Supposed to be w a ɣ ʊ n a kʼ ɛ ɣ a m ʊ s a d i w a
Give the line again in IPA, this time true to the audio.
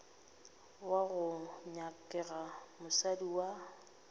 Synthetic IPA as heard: w a ɣ ʊ ɲ a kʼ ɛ ɣ a m ʊ s a d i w a